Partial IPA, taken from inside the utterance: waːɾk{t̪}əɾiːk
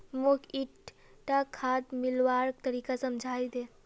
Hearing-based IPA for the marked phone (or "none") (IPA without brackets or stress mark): t̪